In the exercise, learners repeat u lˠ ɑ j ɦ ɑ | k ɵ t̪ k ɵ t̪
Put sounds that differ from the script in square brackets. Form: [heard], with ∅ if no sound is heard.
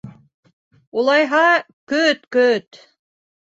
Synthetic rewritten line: u lˠ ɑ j ɦ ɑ | k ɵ t̪ k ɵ t̪